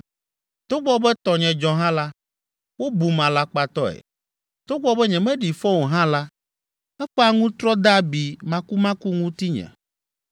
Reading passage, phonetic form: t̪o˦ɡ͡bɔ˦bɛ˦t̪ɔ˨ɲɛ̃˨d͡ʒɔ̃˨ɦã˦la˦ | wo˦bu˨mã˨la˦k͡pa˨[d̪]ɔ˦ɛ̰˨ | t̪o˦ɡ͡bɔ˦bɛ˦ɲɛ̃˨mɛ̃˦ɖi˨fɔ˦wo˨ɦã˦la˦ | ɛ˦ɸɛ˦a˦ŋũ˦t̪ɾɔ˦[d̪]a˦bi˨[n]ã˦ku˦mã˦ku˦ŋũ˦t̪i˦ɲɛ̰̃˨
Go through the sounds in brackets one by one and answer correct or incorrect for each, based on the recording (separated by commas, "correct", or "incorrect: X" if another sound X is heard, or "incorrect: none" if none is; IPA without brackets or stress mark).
incorrect: t̪, correct, incorrect: m